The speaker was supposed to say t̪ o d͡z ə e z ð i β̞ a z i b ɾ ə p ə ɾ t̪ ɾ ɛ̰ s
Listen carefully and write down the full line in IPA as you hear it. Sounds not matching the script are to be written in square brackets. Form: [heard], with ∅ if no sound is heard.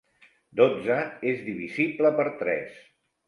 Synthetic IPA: [d̪] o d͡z ə e z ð i β̞ [i] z i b [l] ə p ə ɾ t̪ ɾ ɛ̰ s